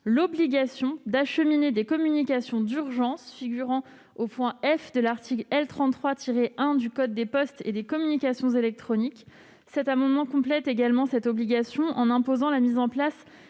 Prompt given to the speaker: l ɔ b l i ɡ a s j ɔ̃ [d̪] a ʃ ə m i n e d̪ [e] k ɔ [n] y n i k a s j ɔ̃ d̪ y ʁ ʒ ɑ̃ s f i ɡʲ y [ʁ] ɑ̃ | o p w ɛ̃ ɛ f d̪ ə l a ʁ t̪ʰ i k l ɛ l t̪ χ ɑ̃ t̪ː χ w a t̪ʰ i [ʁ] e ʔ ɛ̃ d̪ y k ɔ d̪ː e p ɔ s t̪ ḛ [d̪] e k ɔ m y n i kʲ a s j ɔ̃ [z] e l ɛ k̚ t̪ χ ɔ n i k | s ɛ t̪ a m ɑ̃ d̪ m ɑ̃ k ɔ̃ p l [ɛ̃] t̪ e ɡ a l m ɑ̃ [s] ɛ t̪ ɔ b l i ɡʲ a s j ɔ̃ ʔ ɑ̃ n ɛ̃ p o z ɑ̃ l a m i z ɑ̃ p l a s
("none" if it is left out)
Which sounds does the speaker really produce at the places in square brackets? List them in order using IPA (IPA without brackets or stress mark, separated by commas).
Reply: d̪, e, m, ʁ, ʁ, d̪, z, ɛ, s